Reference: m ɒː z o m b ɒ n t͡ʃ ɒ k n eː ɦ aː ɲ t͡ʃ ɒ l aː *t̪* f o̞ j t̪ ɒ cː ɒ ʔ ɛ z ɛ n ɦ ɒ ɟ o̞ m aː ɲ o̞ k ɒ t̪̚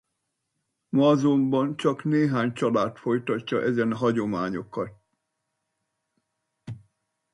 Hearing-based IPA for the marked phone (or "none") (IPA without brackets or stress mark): t̪